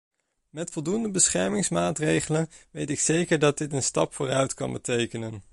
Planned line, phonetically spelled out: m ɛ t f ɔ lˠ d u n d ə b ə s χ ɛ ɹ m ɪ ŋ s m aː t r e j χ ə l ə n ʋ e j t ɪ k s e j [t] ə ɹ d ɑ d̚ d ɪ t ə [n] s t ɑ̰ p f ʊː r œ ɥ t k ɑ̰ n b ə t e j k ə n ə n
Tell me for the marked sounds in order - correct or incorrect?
incorrect: k, correct

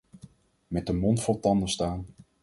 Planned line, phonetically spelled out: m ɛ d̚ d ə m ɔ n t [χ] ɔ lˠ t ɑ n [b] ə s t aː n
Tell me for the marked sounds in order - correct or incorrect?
incorrect: f, incorrect: d

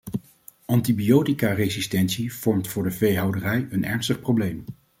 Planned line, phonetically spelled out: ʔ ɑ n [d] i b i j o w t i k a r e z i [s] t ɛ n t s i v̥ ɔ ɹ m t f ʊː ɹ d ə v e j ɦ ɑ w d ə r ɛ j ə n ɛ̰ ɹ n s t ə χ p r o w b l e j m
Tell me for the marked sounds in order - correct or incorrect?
incorrect: t, correct

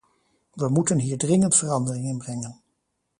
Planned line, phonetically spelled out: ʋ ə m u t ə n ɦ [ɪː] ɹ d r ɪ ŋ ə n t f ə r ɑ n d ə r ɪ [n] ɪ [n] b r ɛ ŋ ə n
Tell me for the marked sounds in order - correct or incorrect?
incorrect: iː, incorrect: ŋ, correct

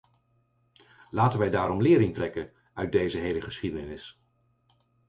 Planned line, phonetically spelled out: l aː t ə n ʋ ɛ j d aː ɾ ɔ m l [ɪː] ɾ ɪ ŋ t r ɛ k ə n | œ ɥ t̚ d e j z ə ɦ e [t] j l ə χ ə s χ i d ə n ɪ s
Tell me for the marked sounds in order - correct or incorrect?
correct, incorrect: none

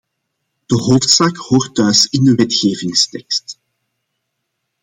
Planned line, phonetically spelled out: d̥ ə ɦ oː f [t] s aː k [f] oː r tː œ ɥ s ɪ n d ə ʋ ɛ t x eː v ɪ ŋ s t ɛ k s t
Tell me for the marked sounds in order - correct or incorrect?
correct, incorrect: h

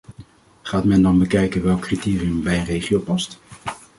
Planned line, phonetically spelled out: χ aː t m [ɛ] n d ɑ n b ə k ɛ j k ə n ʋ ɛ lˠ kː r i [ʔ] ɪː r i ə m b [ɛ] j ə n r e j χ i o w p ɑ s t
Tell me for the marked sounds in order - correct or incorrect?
correct, incorrect: t, correct

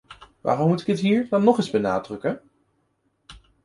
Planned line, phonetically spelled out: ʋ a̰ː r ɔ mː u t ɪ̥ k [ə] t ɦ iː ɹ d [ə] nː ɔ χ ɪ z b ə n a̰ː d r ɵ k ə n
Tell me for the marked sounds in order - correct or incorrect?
correct, incorrect: ɑ

